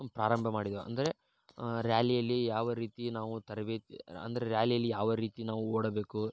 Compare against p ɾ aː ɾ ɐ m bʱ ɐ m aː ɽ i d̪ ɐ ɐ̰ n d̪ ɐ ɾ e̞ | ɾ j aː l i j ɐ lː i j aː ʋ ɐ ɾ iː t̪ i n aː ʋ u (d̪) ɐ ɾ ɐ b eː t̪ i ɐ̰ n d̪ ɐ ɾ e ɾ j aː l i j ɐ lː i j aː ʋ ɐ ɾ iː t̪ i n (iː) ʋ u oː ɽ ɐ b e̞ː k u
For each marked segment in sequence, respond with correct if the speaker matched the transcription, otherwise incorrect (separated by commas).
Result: incorrect, incorrect